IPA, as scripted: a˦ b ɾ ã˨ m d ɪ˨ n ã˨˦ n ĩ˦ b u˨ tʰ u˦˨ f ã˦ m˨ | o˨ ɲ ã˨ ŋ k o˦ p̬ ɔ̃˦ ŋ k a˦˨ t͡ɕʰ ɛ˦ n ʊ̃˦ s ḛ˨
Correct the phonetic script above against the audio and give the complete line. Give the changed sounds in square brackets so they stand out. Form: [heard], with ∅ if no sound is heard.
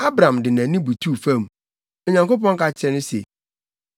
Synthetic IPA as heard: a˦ b ɾ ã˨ m d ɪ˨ n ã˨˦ n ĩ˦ b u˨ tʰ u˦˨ f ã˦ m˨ | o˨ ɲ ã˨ ŋ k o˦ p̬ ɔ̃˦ ŋ k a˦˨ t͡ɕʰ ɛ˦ n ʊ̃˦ s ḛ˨